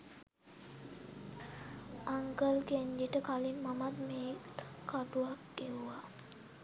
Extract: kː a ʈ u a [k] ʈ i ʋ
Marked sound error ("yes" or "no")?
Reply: no